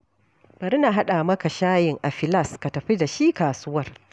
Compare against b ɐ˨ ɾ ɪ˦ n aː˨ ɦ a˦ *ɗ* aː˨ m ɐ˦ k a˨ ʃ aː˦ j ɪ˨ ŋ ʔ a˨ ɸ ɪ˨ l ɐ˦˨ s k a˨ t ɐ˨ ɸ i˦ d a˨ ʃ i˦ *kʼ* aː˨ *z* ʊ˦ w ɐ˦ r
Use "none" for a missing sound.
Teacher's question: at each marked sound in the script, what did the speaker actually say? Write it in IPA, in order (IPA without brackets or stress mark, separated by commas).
ɗ, k, s